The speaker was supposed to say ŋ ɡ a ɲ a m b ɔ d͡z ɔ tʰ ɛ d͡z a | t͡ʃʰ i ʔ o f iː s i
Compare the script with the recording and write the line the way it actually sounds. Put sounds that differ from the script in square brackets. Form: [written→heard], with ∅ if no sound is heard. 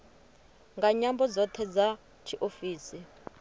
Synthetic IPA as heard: ŋ ɡ a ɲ a m b ɔ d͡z ɔ tʰ ɛ d͡z a | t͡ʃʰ i ʔ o f iː s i